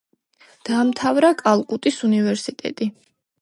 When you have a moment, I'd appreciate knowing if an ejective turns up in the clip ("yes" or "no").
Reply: yes